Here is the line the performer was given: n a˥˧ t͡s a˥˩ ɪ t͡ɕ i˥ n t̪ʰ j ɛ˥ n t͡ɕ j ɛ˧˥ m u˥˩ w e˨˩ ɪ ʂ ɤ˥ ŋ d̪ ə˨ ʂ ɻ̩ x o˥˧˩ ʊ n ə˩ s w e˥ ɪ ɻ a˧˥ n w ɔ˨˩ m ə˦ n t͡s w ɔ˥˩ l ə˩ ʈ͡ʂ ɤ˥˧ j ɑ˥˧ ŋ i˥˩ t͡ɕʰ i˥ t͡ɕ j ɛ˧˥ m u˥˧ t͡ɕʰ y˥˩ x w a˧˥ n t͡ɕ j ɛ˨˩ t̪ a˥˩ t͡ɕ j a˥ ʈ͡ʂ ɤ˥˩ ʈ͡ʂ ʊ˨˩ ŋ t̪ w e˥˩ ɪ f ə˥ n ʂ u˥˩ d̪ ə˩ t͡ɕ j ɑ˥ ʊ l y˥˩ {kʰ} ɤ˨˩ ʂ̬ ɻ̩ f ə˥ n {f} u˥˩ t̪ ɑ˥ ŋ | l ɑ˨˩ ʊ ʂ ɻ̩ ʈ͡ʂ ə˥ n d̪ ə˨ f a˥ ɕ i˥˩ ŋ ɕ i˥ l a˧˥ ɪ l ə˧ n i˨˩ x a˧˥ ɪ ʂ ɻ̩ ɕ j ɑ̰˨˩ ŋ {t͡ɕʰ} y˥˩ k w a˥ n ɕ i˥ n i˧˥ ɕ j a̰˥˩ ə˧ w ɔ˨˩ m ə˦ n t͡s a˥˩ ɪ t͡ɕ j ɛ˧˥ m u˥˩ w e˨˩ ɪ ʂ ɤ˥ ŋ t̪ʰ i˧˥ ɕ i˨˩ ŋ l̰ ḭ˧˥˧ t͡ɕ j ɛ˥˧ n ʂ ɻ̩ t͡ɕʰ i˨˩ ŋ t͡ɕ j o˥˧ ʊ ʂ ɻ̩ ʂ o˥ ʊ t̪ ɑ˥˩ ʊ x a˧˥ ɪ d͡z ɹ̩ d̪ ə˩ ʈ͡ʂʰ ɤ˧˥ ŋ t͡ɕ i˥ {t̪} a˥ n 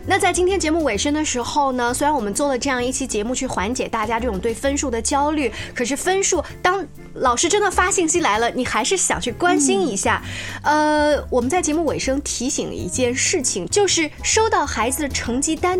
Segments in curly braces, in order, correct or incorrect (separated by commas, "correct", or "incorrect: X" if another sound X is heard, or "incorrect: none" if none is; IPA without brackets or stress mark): correct, incorrect: ʂ, correct, correct